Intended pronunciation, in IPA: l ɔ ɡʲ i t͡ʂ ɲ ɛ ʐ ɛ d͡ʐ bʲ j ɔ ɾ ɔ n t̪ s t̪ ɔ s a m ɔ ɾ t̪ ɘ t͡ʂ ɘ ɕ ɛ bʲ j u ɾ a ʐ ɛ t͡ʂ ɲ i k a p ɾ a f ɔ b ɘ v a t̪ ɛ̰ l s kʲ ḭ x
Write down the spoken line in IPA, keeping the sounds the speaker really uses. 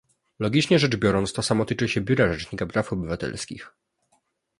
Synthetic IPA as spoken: l ɔ ɡʲ i t͡ʂ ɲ ɛ ʐ ɛ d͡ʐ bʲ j ɔ ɾ ɔ n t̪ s t̪ ɔ s a m ɔ t̪ ɘ t͡ʂ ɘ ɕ ɛ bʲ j u ɾ a ʐ ɛ t͡ʂ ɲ i k a p ɾ a f ɔ b ɘ v a t̪ ɛ̰ l s kʲ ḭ x